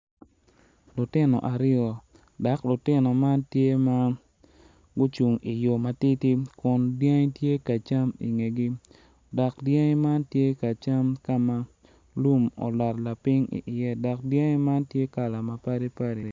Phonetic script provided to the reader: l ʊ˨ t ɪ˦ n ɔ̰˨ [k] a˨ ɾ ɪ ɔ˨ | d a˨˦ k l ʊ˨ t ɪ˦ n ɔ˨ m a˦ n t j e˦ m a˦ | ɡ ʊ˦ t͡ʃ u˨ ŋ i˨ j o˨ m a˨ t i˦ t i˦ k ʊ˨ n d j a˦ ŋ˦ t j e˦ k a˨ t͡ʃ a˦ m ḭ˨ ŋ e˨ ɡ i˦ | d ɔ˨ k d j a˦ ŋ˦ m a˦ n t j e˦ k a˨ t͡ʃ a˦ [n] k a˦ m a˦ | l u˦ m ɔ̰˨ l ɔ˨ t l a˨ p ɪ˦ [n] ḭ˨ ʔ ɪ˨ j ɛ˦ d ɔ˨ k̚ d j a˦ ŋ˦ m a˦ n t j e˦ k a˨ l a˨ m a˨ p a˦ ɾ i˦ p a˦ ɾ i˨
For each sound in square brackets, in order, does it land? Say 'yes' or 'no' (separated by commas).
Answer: no, no, no